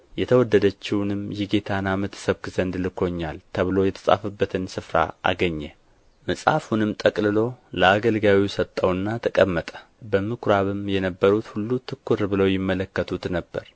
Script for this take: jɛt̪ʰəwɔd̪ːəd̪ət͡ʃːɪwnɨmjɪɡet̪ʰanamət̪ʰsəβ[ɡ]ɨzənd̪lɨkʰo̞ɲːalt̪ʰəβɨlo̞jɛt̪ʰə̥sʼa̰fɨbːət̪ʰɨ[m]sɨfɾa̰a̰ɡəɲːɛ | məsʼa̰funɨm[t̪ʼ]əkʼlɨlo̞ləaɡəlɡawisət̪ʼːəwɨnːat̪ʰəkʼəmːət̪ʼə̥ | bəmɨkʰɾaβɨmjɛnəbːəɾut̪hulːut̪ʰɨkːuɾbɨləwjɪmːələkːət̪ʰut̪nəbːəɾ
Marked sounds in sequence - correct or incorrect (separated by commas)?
incorrect, incorrect, correct